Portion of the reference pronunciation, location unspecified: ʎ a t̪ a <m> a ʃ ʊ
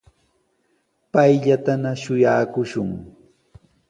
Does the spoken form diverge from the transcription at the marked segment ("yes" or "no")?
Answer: yes